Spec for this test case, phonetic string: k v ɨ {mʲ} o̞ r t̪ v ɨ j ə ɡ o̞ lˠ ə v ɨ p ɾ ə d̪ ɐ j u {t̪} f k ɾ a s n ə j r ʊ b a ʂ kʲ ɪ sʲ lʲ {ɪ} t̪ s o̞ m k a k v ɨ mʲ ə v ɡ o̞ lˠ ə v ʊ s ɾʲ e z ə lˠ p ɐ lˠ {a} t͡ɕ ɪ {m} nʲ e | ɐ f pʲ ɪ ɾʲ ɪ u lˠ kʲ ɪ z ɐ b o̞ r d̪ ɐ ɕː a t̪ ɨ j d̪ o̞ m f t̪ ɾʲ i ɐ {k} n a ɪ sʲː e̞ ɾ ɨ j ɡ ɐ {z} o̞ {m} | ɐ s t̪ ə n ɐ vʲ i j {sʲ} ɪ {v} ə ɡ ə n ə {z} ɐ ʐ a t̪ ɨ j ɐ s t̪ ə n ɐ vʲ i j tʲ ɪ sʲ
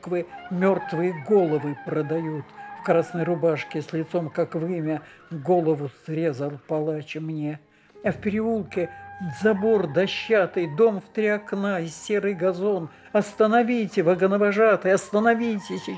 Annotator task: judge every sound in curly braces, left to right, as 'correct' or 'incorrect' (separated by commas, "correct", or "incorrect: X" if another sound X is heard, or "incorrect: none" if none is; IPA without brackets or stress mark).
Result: correct, correct, correct, correct, correct, correct, correct, incorrect: n, incorrect: tʲ, correct, incorrect: v